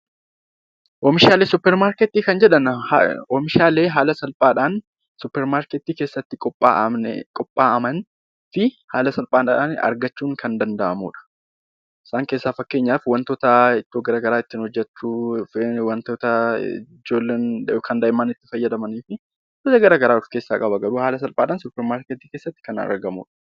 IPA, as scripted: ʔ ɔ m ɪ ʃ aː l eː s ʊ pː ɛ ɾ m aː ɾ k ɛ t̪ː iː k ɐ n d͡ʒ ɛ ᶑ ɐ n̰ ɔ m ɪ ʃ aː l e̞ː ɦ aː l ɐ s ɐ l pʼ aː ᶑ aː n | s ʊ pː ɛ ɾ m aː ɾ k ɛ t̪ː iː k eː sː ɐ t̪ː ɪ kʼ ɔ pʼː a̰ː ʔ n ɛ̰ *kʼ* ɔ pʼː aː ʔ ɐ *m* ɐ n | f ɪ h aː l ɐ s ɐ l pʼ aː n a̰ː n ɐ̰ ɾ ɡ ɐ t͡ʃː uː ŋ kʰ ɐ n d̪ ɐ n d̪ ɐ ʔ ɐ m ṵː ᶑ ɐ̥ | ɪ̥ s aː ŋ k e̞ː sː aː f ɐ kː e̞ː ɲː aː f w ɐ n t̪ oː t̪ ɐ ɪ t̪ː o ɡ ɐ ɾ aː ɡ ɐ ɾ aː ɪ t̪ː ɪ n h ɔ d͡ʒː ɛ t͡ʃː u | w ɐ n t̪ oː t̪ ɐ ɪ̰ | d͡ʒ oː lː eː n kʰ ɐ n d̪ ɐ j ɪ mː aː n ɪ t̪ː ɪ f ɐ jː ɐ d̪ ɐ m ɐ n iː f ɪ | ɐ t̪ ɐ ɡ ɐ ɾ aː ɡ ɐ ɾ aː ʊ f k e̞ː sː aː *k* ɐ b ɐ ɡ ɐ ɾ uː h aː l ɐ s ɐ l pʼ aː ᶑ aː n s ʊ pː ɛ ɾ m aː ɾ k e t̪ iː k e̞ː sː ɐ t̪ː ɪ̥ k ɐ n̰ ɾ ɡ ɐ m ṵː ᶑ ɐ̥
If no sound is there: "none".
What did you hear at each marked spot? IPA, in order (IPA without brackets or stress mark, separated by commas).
kʼ, m, kʼ